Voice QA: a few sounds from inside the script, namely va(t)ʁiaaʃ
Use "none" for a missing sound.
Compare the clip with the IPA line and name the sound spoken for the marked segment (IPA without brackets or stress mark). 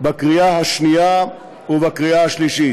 k